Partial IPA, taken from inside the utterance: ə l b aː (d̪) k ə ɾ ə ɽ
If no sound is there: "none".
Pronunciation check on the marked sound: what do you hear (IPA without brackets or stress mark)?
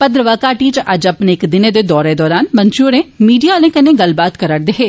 t̪